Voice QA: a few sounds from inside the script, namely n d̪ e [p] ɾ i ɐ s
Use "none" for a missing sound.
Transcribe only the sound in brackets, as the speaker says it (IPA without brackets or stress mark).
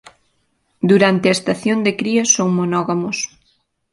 k